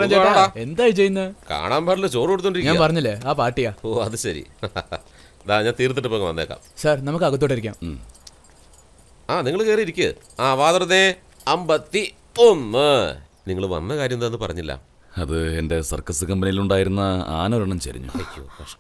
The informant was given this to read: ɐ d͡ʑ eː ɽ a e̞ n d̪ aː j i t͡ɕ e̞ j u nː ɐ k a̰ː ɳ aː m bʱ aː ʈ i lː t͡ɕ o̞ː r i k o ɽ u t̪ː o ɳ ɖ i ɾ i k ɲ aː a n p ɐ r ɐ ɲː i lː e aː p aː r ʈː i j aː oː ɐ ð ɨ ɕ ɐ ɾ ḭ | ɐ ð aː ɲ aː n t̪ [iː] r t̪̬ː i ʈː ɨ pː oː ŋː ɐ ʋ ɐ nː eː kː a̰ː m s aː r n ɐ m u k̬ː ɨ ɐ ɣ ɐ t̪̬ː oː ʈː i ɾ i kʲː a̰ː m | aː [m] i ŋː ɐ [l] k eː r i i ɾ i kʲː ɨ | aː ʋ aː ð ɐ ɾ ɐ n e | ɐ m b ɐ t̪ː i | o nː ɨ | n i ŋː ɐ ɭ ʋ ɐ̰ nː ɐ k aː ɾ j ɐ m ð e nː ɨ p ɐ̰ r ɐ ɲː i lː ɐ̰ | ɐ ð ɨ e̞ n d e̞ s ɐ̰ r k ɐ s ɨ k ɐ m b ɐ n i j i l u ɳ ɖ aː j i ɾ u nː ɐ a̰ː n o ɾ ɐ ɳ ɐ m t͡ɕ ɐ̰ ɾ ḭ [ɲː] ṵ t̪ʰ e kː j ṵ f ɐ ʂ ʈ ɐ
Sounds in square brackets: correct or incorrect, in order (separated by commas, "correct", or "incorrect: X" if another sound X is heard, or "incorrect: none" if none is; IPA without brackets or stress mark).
correct, incorrect: n, incorrect: ɭ, correct